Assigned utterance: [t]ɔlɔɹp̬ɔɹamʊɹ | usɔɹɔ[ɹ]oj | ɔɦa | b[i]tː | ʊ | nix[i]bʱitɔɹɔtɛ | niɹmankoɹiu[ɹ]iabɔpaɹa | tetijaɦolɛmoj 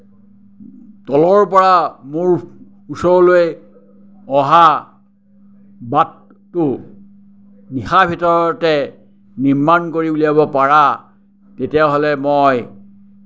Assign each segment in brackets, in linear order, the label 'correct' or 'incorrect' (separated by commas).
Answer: correct, incorrect, incorrect, incorrect, incorrect